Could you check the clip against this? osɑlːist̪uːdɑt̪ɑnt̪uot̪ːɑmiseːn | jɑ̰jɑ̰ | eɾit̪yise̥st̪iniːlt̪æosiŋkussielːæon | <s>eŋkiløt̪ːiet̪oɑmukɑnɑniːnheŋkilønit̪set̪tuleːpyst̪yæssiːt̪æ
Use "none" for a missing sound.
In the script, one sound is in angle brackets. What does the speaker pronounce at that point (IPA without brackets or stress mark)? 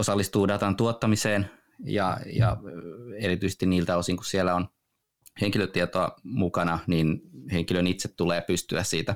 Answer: h